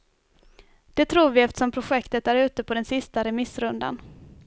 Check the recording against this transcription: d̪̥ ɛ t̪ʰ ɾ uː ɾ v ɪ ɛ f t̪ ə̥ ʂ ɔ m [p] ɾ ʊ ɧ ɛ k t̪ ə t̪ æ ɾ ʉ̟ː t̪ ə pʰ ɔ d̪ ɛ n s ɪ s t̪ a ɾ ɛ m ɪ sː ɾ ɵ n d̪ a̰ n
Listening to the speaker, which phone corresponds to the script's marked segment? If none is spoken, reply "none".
pʰ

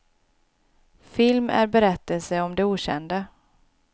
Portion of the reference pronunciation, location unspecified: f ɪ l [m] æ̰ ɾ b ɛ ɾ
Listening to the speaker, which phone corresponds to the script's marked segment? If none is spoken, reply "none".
m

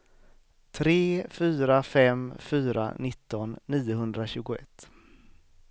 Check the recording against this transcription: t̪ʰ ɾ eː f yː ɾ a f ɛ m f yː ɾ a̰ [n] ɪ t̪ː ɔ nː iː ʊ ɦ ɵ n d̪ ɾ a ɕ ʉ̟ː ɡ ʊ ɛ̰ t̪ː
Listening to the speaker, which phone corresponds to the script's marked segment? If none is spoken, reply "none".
n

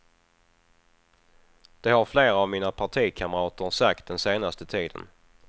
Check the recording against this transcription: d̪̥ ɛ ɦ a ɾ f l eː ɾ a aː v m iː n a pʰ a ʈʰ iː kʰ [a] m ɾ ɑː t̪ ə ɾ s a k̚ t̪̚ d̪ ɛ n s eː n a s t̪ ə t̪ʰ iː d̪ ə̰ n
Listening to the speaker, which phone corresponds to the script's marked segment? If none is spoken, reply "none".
a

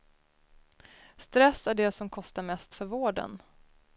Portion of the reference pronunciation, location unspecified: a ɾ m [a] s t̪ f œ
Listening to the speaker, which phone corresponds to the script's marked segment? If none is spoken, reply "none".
ɛ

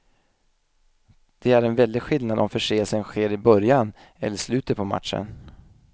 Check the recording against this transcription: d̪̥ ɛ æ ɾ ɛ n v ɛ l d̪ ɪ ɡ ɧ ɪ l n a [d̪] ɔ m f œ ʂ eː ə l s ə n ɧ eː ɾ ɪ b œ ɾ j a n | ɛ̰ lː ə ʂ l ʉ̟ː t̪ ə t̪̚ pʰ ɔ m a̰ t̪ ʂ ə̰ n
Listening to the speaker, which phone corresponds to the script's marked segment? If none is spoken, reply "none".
d̪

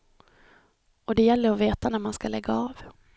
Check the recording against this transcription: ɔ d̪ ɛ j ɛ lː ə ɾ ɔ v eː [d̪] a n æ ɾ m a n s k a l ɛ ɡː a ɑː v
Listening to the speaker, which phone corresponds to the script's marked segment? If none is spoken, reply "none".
t̪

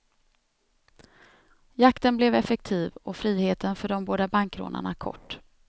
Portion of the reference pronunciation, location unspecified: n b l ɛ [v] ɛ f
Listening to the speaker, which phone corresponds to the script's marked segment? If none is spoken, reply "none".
v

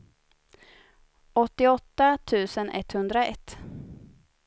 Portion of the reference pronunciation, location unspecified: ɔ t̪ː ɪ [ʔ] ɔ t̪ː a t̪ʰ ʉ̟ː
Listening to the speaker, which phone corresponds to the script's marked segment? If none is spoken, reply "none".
none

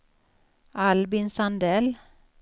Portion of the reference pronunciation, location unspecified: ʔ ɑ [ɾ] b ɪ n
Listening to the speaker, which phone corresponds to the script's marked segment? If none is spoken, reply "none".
l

